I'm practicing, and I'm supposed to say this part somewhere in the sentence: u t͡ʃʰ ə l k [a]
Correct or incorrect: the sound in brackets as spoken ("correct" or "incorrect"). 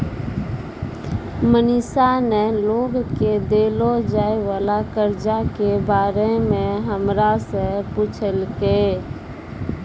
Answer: incorrect